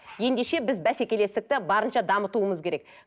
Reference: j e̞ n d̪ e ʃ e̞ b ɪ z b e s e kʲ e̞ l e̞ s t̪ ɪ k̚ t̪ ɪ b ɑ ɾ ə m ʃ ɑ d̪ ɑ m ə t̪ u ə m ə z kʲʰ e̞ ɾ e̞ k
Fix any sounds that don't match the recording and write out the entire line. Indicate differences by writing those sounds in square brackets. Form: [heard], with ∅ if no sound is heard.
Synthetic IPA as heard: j e̞ n d̪ e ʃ e̞ b ɪ z b [æ] s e kʲ e̞ l e̞ s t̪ ɪ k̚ t̪ ɪ b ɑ ɾ ə [n] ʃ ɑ d̪ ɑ m ə t̪ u ə m ə z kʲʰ e̞ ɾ e̞ k